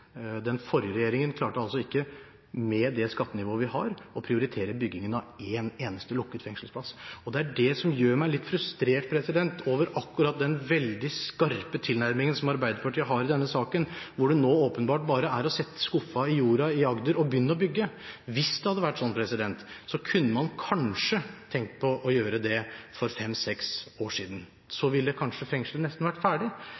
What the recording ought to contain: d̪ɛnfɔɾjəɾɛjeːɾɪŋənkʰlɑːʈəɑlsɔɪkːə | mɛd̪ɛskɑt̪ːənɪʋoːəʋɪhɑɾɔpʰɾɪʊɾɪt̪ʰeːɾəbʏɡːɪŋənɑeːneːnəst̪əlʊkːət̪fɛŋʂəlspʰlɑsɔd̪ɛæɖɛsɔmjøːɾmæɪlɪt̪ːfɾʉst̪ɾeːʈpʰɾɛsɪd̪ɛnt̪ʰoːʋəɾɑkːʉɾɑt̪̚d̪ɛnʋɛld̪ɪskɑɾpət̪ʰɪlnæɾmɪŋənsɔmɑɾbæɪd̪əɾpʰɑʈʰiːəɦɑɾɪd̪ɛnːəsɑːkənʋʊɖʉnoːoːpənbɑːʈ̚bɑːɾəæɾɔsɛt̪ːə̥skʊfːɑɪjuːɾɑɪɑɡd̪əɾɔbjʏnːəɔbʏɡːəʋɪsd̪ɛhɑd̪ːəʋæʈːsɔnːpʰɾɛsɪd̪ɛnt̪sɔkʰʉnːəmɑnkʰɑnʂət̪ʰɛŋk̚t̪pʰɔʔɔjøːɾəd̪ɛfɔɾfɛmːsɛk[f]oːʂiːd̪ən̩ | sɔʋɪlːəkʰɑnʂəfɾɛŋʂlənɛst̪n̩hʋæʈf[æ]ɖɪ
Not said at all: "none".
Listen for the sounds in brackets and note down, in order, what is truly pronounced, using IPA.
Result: s, æː

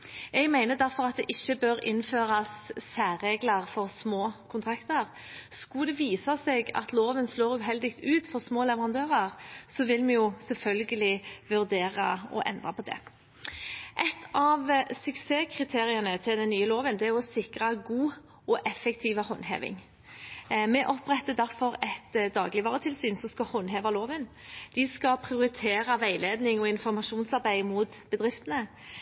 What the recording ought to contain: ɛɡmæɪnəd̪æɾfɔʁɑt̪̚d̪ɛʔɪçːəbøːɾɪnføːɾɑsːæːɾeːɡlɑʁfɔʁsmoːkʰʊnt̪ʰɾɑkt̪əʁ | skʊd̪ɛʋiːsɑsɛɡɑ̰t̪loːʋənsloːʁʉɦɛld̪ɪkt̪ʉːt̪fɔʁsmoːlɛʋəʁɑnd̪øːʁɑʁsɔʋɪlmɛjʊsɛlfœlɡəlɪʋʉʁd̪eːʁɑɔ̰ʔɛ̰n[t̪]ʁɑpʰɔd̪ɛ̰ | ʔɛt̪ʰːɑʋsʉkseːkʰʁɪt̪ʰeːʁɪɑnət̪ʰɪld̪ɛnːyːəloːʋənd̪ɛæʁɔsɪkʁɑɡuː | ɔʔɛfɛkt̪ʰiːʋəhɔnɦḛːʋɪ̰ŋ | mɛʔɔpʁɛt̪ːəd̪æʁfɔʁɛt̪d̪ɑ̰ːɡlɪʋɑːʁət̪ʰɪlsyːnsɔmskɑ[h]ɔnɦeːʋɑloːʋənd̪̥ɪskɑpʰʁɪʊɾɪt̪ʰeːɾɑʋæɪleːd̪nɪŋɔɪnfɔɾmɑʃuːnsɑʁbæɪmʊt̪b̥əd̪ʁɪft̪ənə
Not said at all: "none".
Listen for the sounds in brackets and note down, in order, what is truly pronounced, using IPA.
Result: d̪, h

